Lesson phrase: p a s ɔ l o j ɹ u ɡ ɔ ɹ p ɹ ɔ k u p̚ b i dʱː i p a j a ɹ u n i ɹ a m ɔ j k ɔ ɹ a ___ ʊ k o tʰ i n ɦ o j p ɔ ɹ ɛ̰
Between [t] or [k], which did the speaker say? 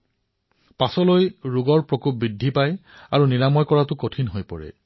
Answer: t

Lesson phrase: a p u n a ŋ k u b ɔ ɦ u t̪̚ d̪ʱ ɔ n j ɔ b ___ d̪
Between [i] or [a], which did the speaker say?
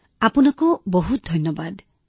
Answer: a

